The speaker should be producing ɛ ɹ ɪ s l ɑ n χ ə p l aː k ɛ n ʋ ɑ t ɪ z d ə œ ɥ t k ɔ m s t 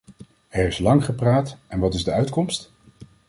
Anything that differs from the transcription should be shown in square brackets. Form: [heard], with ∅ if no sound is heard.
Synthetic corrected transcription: ɛ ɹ ɪ s l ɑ [ŋ] χ ə p [r] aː [t] ɛ n ʋ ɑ t ɪ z d ə œ ɥ t k ɔ m s t

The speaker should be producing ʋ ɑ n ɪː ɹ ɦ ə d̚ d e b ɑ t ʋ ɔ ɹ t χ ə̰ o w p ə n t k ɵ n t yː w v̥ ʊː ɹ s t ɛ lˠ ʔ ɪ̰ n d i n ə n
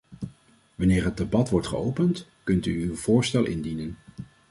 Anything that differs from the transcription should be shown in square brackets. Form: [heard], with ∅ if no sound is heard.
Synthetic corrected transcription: ʋ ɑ n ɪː ɹ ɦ ə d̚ d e b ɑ t ʋ ɔ ɹ t χ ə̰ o w p ə n t k ɵ n t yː w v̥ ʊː ɹ s t ɛ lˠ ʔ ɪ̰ n d i n ə n

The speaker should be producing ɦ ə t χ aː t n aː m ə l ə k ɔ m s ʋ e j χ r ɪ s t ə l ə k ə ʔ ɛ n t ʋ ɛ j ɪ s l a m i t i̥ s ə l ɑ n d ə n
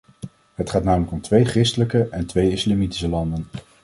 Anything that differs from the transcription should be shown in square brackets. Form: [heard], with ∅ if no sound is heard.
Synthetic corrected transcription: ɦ ə t χ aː t n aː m ə l ə k ɔ m [t] ʋ e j χ r ɪ s t ə l ə k ə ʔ ɛ n t ʋ [e] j ɪ s l a m i t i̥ s ə l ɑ n d ə n

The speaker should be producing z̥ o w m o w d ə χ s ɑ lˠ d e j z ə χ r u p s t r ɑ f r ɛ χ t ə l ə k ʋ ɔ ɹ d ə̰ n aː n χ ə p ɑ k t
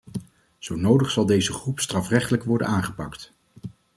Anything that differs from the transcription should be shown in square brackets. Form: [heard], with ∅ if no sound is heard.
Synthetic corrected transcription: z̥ o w [n] o w d ə χ s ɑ lˠ d e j z ə χ r u p s t r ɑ f r ɛ χ t ə l ə k ʋ ɔ ɹ d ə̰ n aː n χ ə p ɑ k t

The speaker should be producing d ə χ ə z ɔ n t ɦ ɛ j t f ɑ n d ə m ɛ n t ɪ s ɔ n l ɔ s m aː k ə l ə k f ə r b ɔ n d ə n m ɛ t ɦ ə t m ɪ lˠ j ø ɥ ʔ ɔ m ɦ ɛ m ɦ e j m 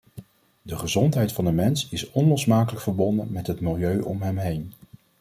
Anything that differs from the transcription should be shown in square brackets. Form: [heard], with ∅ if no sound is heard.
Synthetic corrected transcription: d ə χ ə z ɔ n t ɦ ɛ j t f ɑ n d ə m ɛ n [s] ɪ s ɔ n l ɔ s m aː k ə l ə k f ə [ɹ] b ɔ n d ə n m ɛ t ɦ ə t m ɪ lˠ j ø ɥ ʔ ɔ m ɦ ɛ m ɦ e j [n]

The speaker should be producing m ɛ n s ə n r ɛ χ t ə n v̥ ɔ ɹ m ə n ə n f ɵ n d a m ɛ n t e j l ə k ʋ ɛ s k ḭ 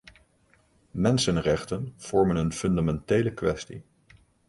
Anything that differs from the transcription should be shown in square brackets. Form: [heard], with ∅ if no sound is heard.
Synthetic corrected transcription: m ɛ n s ə n r ɛ χ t ə n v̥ ɔ ɹ m ə n ə n f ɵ n d a m ɛ n t e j l ə k ʋ ɛ s [t] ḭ

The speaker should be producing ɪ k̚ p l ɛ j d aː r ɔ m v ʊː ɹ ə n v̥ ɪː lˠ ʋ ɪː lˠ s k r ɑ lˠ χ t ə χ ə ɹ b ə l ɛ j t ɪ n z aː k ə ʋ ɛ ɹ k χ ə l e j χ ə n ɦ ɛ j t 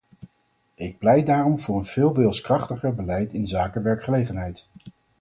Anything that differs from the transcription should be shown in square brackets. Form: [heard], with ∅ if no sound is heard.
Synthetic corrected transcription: ɪ k̚ p l ɛ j d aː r ɔ m v ʊː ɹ ə n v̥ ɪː lˠ ʋ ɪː lˠ s k r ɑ [∅] χ t ə χ ə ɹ b ə l ɛ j t ɪ n z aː k ə ʋ ɛ ɹ k χ ə l e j χ ə n ɦ ɛ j t

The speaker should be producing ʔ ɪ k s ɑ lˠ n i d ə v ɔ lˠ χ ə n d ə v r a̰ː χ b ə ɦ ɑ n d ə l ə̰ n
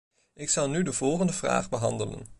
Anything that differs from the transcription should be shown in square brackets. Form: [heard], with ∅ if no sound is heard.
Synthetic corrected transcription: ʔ ɪ k s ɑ lˠ n [y] d ə v ɔ lˠ χ ə n d ə v r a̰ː χ b ə ɦ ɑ n d ə l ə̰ n

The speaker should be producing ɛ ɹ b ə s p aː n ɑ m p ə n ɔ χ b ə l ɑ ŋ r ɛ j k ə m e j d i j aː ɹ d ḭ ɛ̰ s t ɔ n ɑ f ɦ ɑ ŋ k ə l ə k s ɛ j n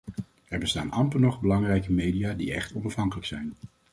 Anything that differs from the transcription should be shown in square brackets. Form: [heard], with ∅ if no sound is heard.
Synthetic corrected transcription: ɛ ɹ b ə s [t] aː n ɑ m p ə n ɔ χ b ə l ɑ ŋ r ɛ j k ə m e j d i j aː [∅] d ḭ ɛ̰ [χ] t ɔ n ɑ f ɦ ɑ ŋ k ə l ə k s ɛ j n

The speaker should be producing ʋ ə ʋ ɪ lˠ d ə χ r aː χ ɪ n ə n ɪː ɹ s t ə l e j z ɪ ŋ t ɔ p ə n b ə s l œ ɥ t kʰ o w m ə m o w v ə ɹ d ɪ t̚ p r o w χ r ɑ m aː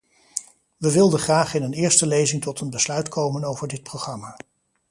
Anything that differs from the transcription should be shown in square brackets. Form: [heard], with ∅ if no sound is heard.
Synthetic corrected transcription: ʋ ə ʋ ɪ lˠ d ə χ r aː χ ɪ n ə n ɪː ɹ s t ə l e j z ɪ ŋ t ɔ [t] ə n b ə s l œ ɥ t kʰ o w m ə [n] o w v ə ɹ d ɪ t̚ p r o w χ r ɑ m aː

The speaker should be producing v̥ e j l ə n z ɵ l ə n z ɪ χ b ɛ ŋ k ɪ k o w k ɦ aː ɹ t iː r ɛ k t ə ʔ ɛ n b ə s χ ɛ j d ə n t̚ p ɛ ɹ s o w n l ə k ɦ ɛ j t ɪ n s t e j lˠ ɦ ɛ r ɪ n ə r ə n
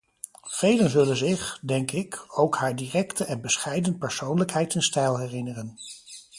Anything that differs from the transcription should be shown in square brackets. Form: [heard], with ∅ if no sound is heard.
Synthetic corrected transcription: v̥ e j l ə n z ɵ l ə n z ɪ χ [d] ɛ ŋ k ɪ k o w k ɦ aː ɹ [d] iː r ɛ k t ə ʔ ɛ n b ə s χ ɛ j d ə n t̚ p ɛ ɹ s o w n l ə k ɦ ɛ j t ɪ n s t [ɛ] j lˠ ɦ ɛ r ɪ n ə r ə n

